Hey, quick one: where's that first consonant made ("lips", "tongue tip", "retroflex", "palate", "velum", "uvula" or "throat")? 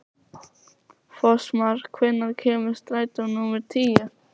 lips